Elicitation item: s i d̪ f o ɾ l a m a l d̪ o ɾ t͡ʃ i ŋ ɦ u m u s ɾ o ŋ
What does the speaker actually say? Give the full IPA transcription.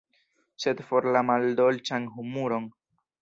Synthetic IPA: s e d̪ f o ɾ l a m a l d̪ o l t͡ʃ a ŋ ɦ u m u ɾ o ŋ